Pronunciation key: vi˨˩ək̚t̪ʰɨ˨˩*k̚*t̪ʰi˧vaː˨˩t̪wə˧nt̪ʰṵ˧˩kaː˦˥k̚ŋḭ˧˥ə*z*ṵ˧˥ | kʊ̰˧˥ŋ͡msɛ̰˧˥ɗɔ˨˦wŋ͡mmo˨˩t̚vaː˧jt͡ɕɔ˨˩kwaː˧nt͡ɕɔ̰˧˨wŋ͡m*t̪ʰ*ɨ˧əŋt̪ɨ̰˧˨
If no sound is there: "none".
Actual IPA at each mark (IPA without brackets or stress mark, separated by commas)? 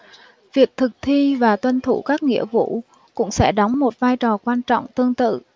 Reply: k̚, v, t̪